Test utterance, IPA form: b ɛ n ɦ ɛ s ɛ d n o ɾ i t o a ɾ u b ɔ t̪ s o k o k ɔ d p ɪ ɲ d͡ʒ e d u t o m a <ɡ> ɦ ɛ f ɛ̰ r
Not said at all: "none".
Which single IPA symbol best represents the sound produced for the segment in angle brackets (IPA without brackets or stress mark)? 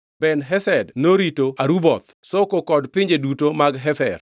ɡ